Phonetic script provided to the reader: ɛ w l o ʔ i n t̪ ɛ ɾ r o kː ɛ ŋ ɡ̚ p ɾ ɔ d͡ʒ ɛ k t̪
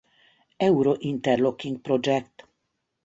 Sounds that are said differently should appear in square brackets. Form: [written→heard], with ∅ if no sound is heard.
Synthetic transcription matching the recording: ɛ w [l→ɾ] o ʔ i n t̪ ɛ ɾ [r→l] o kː [ɛ→i] ŋ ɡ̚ p ɾ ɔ d͡ʒ ɛ k t̪